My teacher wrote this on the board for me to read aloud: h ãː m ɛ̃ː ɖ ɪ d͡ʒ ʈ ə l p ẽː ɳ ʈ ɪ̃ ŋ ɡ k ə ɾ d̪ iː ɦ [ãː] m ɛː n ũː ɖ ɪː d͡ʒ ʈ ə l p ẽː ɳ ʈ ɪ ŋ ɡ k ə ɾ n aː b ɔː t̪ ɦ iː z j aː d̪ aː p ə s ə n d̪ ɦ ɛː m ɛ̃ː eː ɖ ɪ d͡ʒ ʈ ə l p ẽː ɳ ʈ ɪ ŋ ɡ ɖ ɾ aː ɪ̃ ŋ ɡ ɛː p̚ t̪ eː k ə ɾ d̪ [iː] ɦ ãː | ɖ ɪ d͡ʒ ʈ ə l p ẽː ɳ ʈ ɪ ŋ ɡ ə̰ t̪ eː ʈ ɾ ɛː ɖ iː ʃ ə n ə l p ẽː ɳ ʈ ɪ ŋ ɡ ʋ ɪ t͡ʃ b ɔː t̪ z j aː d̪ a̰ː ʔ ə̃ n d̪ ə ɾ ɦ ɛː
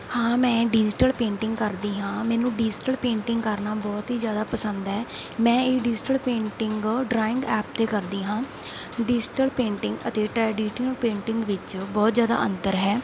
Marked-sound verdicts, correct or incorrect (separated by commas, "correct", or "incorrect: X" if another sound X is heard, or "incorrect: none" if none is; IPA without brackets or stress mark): correct, correct